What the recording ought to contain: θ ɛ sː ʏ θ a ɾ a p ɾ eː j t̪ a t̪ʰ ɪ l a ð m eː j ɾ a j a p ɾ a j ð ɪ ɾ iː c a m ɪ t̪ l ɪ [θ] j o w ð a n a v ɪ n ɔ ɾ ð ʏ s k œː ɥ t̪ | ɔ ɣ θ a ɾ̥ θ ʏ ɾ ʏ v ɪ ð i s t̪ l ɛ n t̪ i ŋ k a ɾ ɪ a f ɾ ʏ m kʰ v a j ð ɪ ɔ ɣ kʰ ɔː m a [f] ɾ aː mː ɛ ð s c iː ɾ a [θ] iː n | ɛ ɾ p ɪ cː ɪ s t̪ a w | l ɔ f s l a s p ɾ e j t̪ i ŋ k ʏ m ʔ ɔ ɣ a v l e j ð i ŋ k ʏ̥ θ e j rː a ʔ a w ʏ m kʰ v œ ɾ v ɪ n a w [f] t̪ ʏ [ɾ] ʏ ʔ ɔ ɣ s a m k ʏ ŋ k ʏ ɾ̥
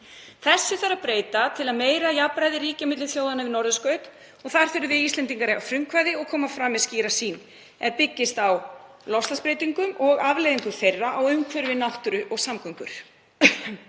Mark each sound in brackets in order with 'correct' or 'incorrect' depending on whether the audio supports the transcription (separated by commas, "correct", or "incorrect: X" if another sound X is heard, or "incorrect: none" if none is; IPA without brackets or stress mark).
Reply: correct, correct, incorrect: s, incorrect: h, correct